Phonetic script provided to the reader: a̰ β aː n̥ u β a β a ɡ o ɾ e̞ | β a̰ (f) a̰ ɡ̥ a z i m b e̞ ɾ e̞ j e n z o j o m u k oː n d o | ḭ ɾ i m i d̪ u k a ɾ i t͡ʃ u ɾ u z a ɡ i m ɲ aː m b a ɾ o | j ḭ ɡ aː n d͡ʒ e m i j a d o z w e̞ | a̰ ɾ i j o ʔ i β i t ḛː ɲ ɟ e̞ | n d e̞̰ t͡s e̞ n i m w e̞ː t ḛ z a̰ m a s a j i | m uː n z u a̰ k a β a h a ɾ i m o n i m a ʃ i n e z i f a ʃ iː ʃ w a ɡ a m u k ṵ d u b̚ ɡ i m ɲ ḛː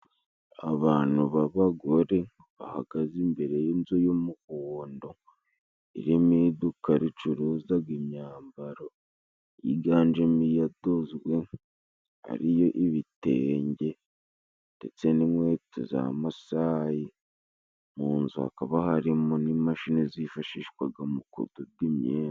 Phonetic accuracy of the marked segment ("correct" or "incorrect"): incorrect